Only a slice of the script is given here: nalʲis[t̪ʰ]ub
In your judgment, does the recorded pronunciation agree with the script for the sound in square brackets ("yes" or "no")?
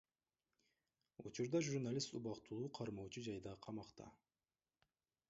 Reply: no